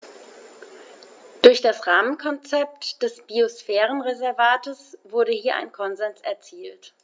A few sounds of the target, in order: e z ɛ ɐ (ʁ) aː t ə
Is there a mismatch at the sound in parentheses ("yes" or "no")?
yes